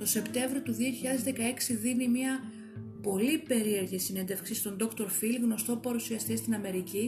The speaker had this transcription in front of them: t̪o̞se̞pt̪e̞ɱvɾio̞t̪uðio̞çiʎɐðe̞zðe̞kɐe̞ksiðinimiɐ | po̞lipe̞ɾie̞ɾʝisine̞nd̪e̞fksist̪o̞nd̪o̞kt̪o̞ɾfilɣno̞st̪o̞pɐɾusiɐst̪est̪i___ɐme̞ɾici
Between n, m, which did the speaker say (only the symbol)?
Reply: n